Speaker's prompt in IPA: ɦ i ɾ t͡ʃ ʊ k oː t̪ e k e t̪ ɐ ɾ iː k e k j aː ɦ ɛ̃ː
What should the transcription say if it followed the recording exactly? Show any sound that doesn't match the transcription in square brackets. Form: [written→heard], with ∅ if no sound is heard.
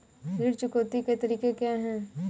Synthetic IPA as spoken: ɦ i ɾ t͡ʃ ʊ k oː t̪ [e→i] k e t̪ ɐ ɾ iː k e k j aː ɦ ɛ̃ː